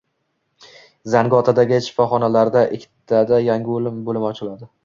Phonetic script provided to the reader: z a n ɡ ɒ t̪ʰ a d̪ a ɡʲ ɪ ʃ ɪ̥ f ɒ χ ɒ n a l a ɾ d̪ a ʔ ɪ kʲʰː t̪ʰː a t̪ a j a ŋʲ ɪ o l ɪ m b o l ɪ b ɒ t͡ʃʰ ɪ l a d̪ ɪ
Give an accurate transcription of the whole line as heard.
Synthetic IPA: z a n ɡ ɒ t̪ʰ a d̪ a ɡʲ ɪ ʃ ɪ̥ f ɒ χ ɒ n a l a ɾ d̪ a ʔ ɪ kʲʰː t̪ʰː a d̪ a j a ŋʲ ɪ o l ɪ m b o l ɪ m ɒ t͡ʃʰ ɪ l a d̪ ɪ